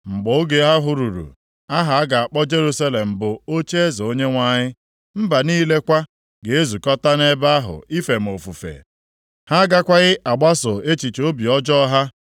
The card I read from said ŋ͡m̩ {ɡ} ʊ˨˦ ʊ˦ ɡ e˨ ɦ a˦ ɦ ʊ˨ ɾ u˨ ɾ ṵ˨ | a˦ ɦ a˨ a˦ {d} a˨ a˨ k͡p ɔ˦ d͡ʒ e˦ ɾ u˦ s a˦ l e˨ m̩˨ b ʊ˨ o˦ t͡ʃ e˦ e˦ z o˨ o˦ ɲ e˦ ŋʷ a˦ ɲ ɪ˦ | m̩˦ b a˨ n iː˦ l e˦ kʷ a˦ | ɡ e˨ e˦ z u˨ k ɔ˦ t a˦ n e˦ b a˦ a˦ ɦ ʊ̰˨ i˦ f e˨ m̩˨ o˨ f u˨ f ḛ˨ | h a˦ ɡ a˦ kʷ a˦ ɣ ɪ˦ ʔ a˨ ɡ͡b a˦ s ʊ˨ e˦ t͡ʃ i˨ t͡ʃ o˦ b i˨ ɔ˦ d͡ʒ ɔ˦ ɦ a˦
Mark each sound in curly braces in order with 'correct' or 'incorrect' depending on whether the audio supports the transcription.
incorrect: ɡ͡b, incorrect: ɡ

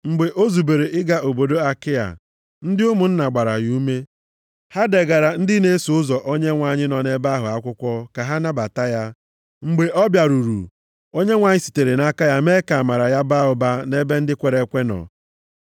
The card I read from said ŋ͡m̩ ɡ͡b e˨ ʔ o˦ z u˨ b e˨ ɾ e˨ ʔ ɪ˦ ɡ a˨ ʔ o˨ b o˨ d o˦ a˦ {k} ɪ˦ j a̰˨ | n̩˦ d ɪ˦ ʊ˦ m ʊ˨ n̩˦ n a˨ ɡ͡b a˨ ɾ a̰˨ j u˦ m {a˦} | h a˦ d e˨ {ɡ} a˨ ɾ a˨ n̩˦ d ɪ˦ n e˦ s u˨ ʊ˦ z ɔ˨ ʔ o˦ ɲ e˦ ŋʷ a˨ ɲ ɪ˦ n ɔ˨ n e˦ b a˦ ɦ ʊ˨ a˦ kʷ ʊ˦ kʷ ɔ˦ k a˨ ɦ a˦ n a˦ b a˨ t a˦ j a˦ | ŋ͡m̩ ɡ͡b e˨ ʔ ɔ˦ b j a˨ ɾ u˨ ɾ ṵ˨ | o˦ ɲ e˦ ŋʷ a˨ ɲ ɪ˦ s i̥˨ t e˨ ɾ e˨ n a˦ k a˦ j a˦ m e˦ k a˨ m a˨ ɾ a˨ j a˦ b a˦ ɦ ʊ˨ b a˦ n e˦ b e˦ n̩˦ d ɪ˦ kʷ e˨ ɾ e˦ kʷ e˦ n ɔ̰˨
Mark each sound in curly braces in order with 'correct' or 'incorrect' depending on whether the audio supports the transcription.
correct, incorrect: e˦, correct

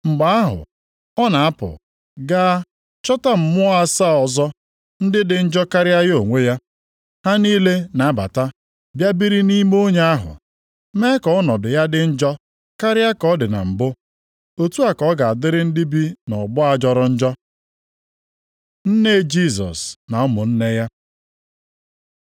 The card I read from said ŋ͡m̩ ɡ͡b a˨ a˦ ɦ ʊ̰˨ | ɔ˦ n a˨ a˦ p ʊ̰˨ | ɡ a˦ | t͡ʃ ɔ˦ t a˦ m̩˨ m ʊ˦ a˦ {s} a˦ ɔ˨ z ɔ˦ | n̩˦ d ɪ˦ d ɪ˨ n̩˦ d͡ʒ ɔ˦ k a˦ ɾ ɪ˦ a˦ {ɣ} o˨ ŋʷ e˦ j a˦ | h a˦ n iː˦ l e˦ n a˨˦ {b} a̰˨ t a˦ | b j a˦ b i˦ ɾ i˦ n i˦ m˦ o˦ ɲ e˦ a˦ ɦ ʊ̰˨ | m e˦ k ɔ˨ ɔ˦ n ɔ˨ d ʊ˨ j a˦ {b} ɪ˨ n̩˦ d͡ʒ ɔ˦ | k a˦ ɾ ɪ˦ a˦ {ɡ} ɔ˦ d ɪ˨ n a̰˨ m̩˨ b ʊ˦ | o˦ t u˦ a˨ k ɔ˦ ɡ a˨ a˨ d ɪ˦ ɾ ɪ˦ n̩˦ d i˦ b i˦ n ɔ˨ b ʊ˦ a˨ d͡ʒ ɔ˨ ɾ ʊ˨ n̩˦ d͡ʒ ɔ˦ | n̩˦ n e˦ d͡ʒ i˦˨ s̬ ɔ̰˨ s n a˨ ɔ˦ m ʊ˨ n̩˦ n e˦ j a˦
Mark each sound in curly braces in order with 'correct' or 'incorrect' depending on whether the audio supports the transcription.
correct, correct, correct, incorrect: d, incorrect: k

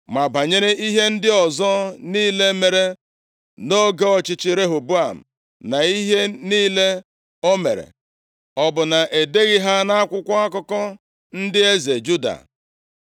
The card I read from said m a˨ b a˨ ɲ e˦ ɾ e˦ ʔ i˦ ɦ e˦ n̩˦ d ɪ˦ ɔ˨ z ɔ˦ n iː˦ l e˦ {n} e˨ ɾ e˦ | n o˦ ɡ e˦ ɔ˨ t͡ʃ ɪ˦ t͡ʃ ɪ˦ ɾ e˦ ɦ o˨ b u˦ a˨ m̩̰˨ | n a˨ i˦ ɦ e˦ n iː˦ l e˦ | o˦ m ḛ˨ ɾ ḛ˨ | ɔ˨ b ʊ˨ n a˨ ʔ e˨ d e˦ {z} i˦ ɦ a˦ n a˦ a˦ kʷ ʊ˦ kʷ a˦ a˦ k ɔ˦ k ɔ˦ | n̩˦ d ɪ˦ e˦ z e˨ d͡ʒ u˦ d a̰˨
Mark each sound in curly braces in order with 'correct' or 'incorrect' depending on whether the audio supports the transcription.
incorrect: m, incorrect: ɣ

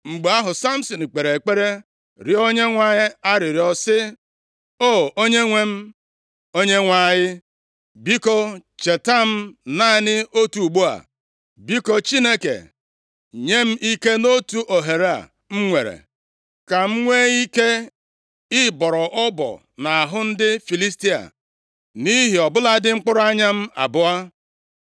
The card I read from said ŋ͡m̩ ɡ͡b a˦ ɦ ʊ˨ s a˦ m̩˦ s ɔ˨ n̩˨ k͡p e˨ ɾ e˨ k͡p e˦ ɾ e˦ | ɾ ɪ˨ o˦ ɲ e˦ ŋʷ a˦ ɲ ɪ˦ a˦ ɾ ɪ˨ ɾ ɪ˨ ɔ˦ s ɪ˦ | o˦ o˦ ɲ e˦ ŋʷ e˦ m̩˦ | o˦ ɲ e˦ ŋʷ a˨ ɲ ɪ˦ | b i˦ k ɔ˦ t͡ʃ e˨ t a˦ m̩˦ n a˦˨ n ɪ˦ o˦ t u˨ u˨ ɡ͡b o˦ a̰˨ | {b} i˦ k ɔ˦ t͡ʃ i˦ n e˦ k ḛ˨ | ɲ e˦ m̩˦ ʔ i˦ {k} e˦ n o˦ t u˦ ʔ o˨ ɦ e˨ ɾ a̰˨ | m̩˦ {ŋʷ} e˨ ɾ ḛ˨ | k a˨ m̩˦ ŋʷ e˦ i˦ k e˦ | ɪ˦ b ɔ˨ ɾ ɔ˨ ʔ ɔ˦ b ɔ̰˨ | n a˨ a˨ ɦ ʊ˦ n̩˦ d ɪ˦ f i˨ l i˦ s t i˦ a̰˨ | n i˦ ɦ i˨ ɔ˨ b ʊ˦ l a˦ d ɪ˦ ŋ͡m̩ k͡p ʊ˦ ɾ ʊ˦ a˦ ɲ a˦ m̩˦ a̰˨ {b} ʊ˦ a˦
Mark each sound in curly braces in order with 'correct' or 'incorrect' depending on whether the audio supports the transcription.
correct, correct, correct, correct

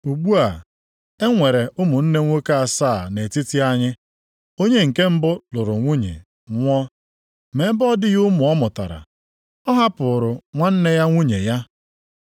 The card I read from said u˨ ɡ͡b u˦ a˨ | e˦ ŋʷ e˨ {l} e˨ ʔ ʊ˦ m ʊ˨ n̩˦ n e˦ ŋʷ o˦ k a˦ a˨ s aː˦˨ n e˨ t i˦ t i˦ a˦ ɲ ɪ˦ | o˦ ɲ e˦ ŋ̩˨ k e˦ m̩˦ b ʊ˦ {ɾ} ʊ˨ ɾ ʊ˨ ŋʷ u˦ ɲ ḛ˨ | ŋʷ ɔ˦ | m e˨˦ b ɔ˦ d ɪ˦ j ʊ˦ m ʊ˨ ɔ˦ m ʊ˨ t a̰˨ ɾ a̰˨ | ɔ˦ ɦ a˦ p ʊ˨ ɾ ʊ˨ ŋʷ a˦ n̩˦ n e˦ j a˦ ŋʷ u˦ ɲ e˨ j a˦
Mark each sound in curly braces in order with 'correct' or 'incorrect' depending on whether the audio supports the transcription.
incorrect: ɾ, incorrect: l

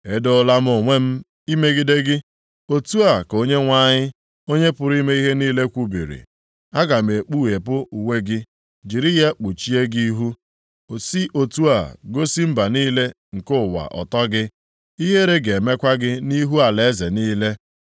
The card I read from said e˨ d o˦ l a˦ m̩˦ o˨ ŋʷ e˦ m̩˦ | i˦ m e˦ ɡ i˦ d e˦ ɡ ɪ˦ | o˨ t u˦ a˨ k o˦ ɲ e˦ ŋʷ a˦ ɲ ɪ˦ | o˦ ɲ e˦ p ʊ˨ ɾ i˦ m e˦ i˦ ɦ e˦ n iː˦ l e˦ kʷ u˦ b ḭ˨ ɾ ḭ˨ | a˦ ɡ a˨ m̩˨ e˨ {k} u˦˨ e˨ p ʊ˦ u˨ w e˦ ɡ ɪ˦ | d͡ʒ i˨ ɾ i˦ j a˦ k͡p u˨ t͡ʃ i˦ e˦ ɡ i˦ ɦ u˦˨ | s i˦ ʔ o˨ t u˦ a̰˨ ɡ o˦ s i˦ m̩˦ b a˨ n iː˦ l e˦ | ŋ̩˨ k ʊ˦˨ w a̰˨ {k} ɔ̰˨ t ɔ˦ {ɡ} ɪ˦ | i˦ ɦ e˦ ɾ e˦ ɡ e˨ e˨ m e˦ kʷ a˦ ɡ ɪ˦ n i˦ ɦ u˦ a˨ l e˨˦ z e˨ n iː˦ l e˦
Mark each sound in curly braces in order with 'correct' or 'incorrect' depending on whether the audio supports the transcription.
incorrect: k͡p, incorrect: ʔ, correct

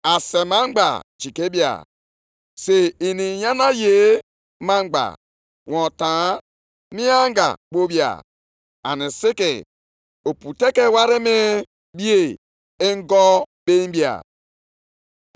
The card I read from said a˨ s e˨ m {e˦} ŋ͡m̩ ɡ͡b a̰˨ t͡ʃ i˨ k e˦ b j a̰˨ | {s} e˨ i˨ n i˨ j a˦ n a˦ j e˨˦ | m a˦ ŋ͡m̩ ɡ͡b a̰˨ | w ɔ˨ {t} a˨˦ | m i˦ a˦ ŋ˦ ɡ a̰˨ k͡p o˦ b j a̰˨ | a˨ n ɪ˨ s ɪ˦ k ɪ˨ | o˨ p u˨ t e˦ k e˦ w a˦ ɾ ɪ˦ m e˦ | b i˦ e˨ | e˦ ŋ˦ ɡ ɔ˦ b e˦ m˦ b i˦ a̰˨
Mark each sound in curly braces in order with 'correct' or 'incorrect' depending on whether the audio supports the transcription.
incorrect: a˦, correct, correct

